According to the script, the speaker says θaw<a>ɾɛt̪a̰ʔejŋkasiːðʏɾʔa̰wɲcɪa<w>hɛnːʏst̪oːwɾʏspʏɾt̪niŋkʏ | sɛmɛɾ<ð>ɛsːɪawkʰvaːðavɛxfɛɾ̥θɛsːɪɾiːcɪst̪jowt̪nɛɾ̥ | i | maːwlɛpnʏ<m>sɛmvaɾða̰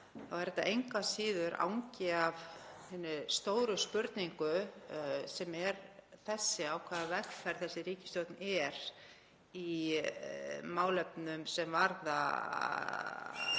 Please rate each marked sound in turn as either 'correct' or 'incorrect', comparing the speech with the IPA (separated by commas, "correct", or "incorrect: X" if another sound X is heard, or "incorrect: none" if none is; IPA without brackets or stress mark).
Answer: incorrect: ɛ, incorrect: v, incorrect: θ, correct